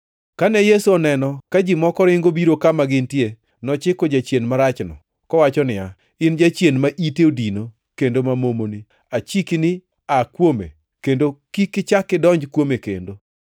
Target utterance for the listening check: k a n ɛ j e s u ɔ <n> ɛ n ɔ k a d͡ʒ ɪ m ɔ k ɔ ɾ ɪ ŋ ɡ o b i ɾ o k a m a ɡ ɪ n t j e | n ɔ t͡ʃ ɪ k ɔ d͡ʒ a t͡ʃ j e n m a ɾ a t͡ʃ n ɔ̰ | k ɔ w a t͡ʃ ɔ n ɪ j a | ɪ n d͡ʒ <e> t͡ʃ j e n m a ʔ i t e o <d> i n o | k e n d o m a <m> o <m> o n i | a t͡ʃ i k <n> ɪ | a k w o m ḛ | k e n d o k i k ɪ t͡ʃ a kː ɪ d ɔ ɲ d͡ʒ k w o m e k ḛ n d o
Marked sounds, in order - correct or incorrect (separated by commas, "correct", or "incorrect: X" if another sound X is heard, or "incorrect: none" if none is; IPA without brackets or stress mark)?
correct, incorrect: a, correct, correct, correct, correct